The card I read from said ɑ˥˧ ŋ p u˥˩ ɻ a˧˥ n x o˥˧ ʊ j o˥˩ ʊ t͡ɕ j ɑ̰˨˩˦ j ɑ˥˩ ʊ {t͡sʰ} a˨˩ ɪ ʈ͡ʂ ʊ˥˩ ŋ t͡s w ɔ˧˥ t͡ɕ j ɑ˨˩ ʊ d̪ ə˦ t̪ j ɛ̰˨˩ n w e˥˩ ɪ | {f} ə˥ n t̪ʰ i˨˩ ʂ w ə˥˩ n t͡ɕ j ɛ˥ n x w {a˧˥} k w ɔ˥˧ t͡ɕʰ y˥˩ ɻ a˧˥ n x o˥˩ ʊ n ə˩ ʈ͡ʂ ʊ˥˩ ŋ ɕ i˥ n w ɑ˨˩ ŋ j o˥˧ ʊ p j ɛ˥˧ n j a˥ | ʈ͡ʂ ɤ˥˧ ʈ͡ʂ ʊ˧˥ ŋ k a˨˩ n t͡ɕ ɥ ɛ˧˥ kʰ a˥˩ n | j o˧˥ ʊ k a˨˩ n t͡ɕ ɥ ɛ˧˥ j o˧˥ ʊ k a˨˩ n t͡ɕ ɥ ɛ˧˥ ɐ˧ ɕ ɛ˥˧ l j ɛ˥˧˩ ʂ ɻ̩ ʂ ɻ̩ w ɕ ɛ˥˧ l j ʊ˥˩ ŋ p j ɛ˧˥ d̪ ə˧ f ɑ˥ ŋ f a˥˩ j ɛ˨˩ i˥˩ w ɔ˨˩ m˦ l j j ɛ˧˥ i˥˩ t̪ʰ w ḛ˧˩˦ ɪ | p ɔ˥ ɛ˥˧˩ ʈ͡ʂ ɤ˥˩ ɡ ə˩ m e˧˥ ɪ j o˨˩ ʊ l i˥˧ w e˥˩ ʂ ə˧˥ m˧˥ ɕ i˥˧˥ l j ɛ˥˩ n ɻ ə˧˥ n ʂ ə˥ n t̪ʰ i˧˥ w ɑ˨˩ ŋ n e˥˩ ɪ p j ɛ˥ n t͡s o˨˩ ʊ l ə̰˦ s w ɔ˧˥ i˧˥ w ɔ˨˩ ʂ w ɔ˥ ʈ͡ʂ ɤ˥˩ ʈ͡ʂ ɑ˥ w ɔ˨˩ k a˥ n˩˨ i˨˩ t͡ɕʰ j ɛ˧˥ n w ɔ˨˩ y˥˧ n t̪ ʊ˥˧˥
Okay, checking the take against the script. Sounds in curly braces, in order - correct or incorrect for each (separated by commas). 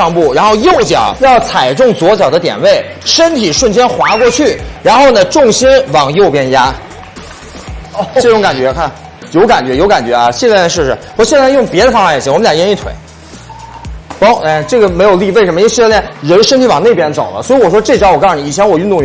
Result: correct, incorrect, correct